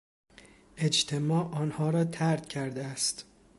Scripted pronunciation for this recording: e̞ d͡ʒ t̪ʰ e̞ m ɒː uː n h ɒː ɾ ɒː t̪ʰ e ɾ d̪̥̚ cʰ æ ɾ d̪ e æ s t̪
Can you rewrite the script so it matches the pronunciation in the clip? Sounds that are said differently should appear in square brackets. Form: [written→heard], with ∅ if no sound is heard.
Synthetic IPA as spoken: e̞ d͡ʒ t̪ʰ e̞ m ɒː [uː→ɒː] n h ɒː ɾ ɒː t̪ʰ [e→æ] ɾ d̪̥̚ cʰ æ ɾ d̪ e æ s t̪